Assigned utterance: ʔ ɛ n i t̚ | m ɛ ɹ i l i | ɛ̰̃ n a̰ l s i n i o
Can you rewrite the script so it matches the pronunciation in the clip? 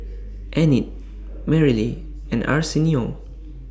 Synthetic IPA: ʔ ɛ n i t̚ | m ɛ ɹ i l i | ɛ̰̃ n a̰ ɹ s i n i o